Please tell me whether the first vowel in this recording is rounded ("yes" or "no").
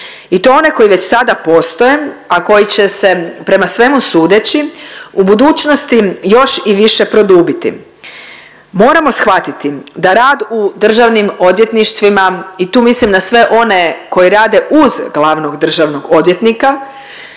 no